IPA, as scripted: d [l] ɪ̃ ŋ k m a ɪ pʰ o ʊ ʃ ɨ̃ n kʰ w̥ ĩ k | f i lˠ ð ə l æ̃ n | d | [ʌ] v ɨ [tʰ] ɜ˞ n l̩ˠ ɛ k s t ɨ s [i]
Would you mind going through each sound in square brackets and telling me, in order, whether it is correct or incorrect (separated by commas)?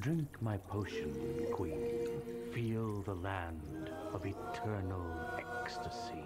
incorrect, correct, correct, correct